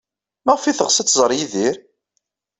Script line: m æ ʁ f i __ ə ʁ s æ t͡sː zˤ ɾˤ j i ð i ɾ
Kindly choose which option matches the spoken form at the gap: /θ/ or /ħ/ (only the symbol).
θ